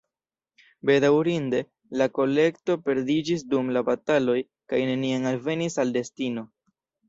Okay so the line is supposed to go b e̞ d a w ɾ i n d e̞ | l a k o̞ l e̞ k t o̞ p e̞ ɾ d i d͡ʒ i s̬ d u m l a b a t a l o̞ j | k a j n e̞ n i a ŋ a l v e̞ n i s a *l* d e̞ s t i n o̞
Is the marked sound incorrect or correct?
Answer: correct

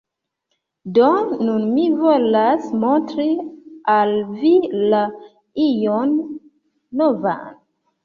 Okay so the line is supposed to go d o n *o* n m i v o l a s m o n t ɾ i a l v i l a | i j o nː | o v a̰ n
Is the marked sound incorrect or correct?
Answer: incorrect: u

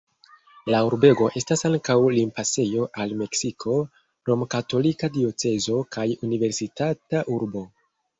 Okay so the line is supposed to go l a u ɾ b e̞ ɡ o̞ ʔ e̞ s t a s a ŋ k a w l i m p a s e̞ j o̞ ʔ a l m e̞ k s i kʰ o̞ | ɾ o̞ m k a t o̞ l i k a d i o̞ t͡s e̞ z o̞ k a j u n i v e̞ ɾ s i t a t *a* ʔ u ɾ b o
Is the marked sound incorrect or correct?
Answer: correct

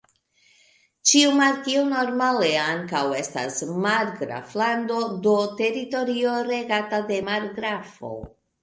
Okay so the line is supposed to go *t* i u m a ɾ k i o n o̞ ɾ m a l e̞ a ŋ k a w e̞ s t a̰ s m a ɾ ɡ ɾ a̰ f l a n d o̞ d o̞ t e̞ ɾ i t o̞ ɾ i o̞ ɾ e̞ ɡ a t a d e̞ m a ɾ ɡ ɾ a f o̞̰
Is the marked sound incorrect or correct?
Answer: incorrect: t͡ʃ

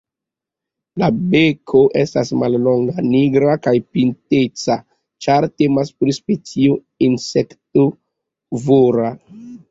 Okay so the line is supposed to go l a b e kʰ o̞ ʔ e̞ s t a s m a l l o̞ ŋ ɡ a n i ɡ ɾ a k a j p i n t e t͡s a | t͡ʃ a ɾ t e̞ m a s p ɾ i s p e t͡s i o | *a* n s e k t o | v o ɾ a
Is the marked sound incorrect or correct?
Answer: incorrect: i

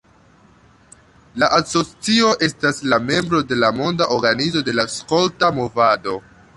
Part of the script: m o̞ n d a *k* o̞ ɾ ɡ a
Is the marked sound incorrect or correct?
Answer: incorrect: ʔ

